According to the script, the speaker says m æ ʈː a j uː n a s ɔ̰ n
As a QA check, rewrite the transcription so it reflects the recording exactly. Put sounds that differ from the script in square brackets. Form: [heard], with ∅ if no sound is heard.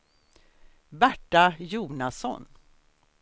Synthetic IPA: [b] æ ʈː a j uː n a s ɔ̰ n

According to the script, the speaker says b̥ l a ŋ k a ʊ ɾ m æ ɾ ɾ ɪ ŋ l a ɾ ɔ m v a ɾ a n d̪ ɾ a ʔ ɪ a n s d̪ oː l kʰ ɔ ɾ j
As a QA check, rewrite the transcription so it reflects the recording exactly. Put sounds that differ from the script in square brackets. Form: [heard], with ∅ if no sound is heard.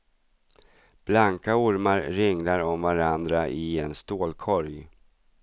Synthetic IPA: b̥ l a ŋ k a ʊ ɾ m [a] ɾ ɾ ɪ ŋ l a ɾ ɔ m v a ɾ a n d̪ ɾ a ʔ ɪ [ɛ] n s [t̪] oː l kʰ ɔ ɾ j

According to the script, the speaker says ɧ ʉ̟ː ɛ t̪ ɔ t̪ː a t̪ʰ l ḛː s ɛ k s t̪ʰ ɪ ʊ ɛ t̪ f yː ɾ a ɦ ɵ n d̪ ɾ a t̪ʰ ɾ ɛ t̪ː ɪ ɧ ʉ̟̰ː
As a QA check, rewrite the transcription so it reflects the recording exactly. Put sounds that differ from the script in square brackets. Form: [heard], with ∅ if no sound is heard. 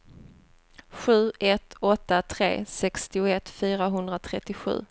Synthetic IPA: ɧ ʉ̟ː ɛ t̪ ɔ t̪ː a t̪ʰ [ɾ] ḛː s ɛ k s [t̪] ɪ ʊ ɛ t̪ f yː ɾ a ɦ ɵ n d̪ ɾ a t̪ʰ ɾ ɛ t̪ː ɪ ɧ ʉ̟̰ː

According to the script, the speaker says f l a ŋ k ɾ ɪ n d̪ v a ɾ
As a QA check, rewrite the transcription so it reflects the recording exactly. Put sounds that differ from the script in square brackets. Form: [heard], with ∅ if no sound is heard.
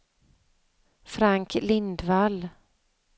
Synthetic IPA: f [ɾ] a ŋ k [l] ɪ n d̪ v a [l]

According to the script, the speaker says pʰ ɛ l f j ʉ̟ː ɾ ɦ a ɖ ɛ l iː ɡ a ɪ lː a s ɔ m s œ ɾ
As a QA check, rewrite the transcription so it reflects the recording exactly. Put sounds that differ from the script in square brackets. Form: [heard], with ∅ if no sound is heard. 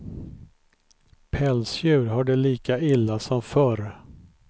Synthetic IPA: pʰ ɛ l [s] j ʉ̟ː ɾ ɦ a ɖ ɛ l iː [k] a ɪ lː a s ɔ m [f] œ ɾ

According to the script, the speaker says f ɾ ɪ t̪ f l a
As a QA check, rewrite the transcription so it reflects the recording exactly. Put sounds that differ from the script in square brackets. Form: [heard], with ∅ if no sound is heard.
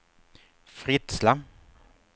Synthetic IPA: f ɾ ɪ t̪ [s] l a

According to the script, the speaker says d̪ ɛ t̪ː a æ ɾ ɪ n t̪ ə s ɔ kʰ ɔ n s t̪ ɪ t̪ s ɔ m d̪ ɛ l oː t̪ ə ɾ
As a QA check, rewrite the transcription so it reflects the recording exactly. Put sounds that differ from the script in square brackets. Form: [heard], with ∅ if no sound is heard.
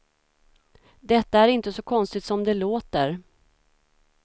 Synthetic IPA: d̪ ɛ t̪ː a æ ɾ ɪ n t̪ ə s ɔ kʰ ɔ n s t̪ ɪ t̪ s ɔ m d̪ ɛ l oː t̪ ə ɾ

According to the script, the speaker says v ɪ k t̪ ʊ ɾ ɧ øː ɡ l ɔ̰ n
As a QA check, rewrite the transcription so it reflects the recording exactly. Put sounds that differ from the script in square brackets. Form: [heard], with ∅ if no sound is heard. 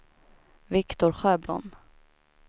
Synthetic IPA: v ɪ k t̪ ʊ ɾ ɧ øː [b] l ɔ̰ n

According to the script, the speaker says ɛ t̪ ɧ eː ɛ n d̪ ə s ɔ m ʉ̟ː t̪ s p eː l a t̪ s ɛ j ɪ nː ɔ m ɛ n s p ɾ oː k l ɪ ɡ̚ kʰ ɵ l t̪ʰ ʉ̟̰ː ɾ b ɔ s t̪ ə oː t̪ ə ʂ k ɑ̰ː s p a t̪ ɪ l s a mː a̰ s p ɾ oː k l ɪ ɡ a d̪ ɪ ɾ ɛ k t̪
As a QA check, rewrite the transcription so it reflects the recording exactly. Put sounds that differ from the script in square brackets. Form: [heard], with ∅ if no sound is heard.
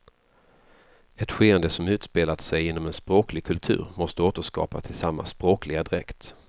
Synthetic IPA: ɛ t̪ ɧ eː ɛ n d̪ ə s ɔ m ʉ̟ː t̪ s p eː l a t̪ s ɛ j ɪ nː ɔ m ɛ n s p ɾ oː k l ɪ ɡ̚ kʰ ɵ l t̪ʰ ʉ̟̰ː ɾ [m] ɔ s t̪ ə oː t̪ ə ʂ k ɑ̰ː [∅] p a [t̪ʰ] ɪ l s a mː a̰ s p ɾ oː k l ɪ ɡ a d̪ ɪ ɾ ɛ k t̪

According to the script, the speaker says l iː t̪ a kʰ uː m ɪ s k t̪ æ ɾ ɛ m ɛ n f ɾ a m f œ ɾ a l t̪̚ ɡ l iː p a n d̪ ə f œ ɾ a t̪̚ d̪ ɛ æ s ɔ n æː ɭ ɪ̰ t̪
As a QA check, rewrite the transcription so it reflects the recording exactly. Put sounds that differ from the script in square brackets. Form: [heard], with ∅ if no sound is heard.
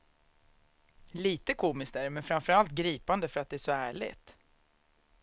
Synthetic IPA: l iː t̪ [ə] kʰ uː m ɪ s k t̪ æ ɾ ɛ m ɛ n f ɾ a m f œ ɾ a l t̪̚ ɡ [ɾ] iː p a n d̪ ə f œ ɾ a t̪̚ d̪ ɛ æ [ʂ] ɔ [∅] æː ɭ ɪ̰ t̪

